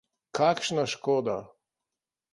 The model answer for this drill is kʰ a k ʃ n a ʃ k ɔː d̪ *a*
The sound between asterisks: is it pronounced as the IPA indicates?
yes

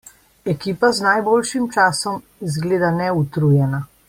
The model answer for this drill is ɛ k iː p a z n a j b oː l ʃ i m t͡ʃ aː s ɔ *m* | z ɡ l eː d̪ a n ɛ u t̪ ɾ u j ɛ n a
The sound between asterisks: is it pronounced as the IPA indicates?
yes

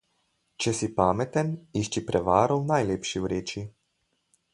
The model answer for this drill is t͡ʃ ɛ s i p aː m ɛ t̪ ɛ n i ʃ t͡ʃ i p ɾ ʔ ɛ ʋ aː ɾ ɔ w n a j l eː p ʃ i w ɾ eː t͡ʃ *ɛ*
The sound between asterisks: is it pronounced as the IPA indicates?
no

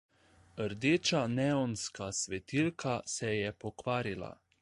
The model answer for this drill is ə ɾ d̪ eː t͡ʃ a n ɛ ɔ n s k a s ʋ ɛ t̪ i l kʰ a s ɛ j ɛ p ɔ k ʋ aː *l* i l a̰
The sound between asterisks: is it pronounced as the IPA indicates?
no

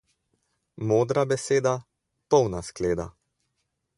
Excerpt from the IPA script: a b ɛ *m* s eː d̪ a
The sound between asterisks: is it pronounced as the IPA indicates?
no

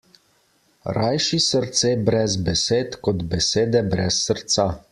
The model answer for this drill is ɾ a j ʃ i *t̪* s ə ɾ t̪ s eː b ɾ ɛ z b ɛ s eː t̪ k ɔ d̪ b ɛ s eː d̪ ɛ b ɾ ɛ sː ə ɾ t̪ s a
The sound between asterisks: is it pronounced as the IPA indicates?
no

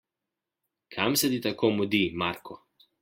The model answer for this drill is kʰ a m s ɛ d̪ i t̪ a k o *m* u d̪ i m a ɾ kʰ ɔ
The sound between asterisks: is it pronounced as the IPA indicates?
yes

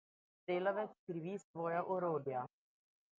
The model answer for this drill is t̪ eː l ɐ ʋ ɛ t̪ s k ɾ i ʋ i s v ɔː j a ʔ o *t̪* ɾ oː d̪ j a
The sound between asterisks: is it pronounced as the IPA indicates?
no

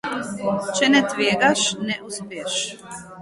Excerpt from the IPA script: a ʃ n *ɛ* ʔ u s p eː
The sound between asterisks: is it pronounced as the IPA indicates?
yes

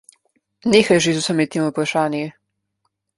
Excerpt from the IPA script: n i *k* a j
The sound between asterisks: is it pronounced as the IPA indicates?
no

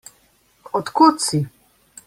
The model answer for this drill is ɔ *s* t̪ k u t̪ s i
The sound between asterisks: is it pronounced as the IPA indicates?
no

